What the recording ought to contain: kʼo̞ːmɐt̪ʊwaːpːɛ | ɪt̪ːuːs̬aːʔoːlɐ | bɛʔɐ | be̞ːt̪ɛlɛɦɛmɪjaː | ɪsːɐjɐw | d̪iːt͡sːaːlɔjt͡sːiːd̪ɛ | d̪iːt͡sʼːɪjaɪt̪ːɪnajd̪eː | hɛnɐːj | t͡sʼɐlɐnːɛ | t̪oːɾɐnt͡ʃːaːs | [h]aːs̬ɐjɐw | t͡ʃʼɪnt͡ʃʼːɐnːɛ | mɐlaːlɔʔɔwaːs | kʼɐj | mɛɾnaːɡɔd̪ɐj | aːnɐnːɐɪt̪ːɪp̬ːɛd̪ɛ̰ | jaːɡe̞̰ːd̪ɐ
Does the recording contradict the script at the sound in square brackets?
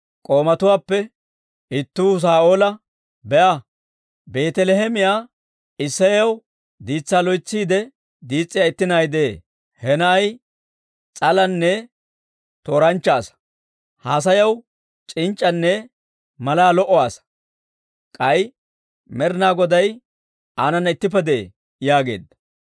no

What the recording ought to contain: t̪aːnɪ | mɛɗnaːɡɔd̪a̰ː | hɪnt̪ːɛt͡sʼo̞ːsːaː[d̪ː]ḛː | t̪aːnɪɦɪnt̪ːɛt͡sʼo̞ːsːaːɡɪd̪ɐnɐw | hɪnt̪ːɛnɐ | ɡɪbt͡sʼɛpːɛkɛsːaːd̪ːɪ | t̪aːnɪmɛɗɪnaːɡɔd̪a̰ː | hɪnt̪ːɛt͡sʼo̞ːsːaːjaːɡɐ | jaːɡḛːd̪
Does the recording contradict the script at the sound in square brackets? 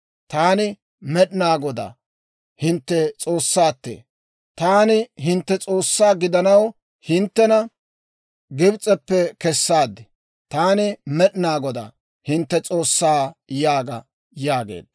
yes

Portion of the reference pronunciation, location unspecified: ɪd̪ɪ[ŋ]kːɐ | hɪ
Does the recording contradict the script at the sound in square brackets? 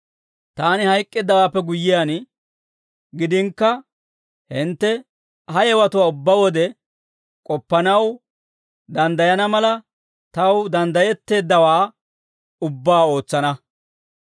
no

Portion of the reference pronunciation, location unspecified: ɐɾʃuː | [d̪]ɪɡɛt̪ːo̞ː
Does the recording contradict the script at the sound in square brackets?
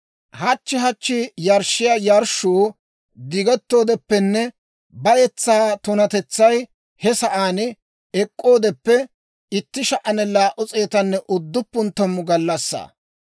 no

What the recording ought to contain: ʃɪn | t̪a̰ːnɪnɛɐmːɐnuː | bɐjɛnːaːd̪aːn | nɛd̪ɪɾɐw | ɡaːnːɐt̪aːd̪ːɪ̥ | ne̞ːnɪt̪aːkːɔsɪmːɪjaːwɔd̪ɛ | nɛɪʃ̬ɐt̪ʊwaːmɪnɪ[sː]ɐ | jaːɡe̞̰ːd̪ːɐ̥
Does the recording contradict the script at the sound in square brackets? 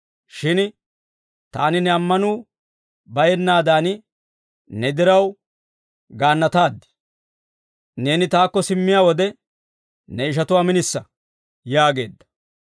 no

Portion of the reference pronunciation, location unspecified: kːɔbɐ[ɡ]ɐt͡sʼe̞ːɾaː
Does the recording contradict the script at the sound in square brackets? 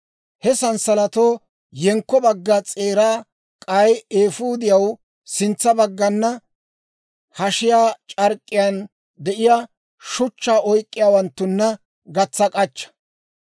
yes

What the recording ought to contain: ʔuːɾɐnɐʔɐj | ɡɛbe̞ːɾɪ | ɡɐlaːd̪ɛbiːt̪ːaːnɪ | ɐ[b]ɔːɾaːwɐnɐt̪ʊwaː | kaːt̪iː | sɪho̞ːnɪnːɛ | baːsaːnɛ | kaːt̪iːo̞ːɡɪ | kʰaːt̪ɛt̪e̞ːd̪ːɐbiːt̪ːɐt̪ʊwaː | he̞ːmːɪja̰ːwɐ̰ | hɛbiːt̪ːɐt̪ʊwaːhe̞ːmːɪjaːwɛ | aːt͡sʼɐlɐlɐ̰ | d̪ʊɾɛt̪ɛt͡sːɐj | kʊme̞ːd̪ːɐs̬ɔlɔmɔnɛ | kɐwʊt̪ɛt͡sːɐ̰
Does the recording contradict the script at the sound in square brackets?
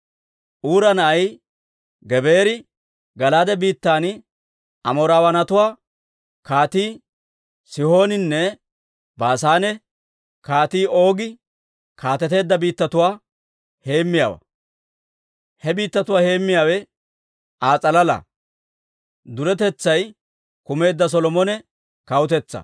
yes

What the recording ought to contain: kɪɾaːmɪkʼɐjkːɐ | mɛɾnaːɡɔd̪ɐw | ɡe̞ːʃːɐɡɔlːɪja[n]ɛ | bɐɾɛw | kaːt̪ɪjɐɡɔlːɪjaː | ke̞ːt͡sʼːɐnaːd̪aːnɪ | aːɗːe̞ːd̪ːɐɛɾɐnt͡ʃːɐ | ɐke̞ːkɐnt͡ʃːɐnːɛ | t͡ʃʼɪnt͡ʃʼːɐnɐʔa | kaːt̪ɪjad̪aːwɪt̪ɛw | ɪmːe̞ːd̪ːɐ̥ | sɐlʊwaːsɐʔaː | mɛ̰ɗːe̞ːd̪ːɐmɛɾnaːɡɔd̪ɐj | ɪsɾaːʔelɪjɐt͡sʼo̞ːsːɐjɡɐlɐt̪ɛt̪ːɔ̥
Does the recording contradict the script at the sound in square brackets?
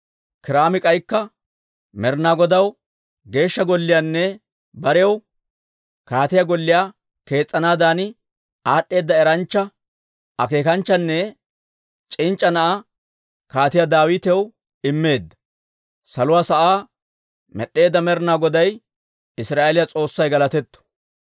yes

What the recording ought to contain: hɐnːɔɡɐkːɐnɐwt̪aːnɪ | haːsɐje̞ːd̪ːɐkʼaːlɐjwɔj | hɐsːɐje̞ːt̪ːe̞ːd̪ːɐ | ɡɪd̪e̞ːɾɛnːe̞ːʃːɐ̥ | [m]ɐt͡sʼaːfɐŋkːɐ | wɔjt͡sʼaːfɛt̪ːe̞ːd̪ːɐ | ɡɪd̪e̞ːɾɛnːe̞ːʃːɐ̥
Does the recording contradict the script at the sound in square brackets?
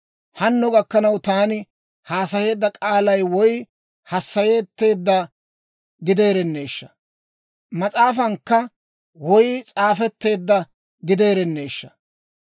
no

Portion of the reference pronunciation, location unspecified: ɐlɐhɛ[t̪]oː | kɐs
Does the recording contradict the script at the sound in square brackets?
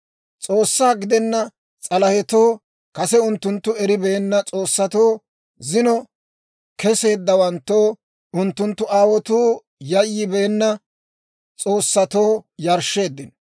no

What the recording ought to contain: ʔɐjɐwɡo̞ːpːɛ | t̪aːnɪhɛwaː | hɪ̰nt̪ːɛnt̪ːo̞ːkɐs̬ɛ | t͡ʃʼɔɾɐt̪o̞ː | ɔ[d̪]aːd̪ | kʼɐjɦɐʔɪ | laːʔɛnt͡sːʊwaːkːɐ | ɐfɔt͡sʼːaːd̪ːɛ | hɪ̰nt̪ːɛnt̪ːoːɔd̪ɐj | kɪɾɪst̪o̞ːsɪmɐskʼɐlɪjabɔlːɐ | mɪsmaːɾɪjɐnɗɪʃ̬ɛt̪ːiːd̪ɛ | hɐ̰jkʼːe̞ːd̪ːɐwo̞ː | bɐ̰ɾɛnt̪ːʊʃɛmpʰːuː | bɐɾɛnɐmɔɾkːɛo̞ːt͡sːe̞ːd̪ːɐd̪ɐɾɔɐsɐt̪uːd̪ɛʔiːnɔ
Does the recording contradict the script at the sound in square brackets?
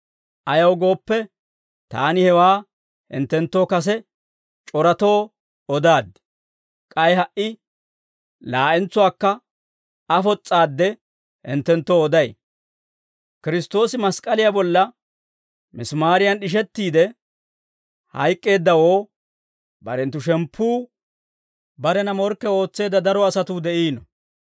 no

